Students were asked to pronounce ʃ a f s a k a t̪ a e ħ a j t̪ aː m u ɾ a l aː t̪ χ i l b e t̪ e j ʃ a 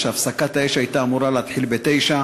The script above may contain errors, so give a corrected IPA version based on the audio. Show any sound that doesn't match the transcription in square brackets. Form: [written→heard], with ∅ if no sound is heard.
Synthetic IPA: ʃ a f s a k a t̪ a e [ħ→ʃ] a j t̪ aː m u ɾ a l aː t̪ [χ→ħ] i l b e t̪ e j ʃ a